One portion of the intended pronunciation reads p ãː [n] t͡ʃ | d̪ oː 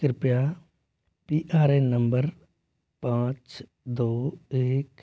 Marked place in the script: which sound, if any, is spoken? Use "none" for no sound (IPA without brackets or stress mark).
none